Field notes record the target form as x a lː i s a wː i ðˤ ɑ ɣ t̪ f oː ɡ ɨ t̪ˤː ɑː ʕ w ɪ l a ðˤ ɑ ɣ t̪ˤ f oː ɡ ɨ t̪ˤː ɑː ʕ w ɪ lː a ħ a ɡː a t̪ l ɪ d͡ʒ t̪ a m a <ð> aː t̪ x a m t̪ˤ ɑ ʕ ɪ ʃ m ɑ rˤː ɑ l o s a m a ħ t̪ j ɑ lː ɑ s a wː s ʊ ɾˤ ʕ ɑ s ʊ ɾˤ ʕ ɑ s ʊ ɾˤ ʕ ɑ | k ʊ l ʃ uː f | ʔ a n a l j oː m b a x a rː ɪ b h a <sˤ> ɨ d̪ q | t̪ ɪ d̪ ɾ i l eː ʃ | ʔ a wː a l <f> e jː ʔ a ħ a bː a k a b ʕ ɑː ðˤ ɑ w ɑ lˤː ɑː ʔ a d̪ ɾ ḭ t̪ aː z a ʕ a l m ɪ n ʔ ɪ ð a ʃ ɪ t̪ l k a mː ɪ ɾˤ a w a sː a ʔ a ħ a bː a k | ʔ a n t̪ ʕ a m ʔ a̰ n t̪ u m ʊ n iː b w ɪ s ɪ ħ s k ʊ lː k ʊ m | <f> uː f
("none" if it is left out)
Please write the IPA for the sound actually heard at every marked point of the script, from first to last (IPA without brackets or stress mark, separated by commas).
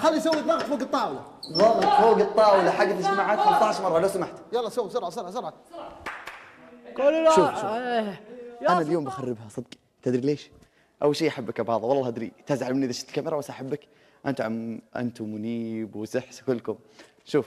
ʕ, sˤ, ʃ, ʃ